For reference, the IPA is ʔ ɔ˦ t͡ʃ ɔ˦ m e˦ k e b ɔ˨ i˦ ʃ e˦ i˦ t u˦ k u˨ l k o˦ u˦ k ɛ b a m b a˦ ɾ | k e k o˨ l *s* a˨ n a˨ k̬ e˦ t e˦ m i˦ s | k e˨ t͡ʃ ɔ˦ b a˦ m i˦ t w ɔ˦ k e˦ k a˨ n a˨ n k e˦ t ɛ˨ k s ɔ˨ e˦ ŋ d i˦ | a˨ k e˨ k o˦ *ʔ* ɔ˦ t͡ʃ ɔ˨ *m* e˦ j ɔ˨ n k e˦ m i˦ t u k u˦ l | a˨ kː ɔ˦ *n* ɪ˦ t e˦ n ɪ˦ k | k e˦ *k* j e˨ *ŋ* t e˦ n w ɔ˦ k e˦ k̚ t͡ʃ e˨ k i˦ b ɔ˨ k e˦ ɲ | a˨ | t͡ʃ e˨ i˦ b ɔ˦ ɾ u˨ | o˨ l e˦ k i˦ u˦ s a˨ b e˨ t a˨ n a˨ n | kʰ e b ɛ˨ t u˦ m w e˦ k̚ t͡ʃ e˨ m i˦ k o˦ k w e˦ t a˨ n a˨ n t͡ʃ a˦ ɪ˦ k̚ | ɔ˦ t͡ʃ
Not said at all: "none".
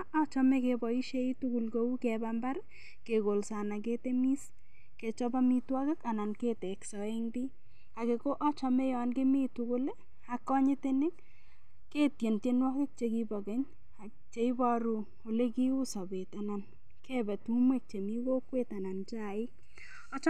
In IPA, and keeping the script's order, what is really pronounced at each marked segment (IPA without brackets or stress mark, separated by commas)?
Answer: s, ʔ, m, ɲ, t, n